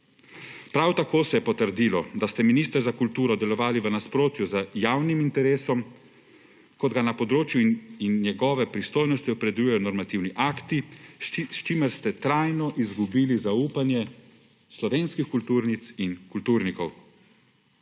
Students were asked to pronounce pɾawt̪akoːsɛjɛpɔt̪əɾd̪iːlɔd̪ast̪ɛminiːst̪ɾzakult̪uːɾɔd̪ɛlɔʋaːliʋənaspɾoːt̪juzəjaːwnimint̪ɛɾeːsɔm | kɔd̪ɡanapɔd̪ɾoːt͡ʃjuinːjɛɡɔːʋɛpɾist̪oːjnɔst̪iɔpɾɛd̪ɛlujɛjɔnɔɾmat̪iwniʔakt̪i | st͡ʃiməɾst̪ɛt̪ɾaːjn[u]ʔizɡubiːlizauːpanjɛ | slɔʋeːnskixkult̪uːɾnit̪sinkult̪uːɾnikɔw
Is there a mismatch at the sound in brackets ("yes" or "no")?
yes